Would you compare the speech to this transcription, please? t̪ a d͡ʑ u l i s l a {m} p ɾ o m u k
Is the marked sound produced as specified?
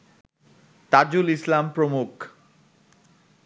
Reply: yes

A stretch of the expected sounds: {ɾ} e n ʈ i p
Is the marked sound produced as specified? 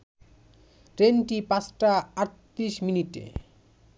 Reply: yes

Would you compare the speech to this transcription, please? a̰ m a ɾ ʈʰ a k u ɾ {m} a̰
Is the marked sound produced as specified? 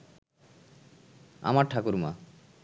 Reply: yes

